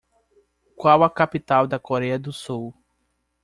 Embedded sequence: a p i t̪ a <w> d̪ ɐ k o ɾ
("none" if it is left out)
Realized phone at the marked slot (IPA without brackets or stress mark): w